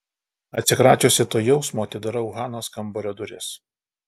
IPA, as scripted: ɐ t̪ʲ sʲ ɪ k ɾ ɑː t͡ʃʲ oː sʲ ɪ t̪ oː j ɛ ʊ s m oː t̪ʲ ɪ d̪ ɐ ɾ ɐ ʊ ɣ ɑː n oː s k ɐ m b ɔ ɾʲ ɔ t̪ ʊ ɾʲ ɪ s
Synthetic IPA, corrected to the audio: ɐ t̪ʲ sʲ ɪ k ɾ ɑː t͡ʃʲ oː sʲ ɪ t̪ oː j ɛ ʊ s m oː t̪ʲ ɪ d̪ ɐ ɾ ɐ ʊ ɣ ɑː n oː s k ɐ m b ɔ ɾʲ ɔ d̪ ʊ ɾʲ ɪ s